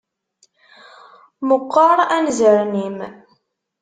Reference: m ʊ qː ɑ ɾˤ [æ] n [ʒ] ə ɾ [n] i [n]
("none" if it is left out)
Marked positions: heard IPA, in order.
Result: æ, z, n, m

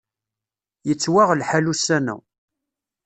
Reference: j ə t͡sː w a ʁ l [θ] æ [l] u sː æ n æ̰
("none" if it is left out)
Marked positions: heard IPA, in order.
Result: ħ, l

